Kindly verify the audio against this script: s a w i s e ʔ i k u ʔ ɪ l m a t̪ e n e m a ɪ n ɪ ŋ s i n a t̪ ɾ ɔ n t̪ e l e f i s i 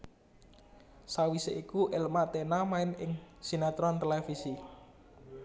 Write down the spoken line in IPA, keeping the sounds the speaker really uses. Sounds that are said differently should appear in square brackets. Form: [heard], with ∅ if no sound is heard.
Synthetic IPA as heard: s a w i s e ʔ i k u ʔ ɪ l m a t̪ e n [a] m a ɪ n ɪ ŋ s i n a t̪ ɾ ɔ n t̪ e l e f i s i